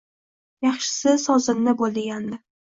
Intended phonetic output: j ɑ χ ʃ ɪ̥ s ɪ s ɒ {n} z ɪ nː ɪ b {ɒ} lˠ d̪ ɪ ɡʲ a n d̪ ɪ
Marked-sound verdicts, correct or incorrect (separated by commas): incorrect, incorrect